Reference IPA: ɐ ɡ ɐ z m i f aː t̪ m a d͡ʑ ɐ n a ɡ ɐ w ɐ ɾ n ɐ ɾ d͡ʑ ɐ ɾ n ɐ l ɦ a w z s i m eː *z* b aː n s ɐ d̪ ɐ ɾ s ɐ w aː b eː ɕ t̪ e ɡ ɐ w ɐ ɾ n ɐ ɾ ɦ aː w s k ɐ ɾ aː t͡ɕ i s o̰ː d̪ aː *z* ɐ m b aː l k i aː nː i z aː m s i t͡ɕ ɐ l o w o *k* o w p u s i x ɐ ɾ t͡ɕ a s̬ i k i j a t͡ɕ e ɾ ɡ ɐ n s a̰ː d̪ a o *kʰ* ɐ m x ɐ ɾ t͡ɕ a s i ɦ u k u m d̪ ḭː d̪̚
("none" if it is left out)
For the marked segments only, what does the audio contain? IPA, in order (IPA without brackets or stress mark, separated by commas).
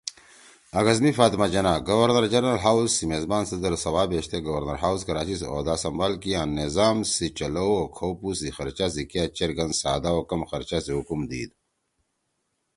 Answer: z, s, kʰ, k